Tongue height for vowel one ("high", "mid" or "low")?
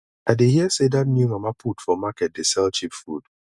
low